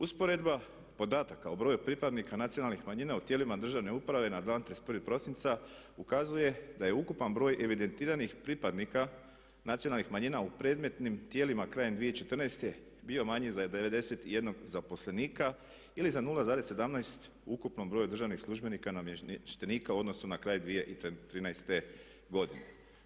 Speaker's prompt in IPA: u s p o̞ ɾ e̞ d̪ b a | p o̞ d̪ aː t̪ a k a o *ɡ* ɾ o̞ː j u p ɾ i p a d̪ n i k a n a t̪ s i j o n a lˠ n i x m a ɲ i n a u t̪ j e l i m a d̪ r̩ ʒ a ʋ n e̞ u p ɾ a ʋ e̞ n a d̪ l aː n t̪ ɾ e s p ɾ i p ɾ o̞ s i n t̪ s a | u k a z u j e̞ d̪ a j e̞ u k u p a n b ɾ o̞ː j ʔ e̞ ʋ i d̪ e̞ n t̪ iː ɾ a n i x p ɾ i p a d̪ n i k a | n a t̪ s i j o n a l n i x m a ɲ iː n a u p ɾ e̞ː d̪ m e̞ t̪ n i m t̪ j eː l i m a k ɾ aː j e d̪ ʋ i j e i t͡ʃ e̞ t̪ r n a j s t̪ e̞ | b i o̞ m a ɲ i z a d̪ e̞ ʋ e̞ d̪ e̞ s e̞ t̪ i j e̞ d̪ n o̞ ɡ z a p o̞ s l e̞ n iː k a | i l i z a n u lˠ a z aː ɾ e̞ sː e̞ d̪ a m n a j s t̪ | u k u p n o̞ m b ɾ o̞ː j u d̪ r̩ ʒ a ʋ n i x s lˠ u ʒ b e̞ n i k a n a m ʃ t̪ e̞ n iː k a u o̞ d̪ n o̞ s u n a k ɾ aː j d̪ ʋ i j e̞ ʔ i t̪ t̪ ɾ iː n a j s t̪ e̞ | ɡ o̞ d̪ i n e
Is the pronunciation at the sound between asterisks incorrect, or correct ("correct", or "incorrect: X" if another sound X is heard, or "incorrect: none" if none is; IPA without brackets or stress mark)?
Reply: incorrect: b